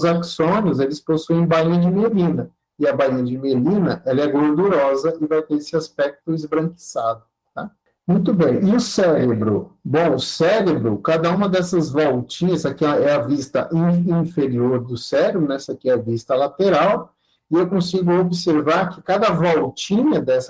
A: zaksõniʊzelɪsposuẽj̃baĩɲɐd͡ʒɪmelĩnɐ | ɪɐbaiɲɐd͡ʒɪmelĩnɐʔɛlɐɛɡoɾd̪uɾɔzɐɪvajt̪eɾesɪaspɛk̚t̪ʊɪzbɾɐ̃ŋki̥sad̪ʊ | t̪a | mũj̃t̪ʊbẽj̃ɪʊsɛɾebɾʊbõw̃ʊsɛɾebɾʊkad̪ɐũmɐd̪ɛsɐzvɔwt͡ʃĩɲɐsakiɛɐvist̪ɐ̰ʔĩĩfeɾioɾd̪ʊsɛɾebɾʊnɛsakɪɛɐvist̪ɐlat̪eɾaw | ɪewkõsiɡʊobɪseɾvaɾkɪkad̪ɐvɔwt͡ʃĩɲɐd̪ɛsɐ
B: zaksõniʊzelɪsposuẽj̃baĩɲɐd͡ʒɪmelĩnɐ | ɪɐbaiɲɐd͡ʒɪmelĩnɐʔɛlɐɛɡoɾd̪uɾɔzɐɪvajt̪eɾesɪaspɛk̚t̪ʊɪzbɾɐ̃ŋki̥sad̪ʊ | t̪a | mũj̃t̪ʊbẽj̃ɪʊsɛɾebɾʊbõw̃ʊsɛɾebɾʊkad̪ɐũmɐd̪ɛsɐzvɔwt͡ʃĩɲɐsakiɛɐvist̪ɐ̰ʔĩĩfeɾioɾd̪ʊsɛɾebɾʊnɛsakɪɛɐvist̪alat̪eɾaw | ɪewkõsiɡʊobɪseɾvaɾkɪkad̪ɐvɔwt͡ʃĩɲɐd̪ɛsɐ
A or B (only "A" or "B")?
A